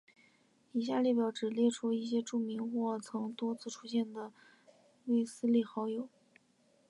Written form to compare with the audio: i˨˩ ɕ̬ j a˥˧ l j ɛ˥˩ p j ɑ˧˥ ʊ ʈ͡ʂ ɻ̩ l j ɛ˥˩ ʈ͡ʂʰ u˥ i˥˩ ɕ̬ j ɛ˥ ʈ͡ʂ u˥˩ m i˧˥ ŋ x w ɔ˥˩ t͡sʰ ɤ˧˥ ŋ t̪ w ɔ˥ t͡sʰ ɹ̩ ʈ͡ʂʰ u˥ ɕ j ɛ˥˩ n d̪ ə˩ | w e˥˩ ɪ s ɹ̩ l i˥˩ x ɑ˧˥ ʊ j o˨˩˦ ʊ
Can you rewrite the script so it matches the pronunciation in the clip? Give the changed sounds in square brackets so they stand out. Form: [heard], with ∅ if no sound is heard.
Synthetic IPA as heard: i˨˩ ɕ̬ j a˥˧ l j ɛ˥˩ p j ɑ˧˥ ʊ ʈ͡ʂ ɻ̩ l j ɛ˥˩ ʈ͡ʂʰ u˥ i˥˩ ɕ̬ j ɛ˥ ʈ͡ʂ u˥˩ m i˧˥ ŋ x w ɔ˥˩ t͡sʰ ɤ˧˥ ŋ t̪ w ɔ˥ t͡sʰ ɹ̩ ʈ͡ʂʰ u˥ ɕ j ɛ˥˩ n d̪ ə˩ | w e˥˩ ɪ s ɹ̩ l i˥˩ x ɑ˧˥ ʊ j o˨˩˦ ʊ